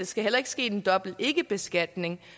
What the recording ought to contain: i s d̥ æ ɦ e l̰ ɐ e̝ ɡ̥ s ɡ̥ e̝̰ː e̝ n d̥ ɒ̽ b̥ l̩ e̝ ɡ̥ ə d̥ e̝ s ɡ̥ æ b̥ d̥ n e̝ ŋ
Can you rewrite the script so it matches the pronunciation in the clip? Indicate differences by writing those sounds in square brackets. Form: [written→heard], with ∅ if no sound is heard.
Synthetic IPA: [i→e] s [d̥→ɡ̥] æ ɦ e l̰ ɐ e̝ ɡ̥ s ɡ̥ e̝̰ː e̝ n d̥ ɒ̽ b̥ l̩ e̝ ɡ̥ ə [d̥→b̥] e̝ s ɡ̥ æ [b̥→∅] d̥ n e̝ ŋ